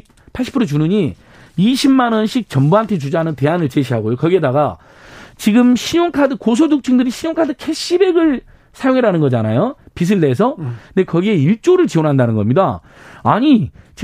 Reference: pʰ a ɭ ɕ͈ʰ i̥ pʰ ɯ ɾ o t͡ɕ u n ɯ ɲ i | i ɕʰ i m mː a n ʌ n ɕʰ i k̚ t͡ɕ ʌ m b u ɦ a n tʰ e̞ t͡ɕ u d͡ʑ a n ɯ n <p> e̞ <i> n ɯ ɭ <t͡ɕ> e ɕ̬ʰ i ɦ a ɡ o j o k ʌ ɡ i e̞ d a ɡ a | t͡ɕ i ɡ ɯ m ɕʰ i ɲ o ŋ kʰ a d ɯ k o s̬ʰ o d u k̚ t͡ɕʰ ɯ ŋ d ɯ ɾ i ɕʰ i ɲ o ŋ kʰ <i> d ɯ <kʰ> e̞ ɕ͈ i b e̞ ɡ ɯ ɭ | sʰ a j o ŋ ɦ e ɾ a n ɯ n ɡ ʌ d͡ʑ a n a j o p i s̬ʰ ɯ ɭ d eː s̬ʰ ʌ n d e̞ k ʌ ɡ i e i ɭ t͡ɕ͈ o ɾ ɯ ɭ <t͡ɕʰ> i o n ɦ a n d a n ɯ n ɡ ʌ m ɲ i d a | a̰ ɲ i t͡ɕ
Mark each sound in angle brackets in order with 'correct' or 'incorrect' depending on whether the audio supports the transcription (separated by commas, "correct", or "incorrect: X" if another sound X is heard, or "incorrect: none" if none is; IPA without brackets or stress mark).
incorrect: t, incorrect: a, correct, incorrect: a, correct, incorrect: t͡ɕ